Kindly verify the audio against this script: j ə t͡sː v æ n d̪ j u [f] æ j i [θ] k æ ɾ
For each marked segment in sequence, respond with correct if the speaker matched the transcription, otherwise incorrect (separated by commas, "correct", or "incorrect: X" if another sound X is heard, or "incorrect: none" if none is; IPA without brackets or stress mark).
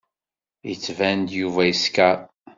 incorrect: v, incorrect: s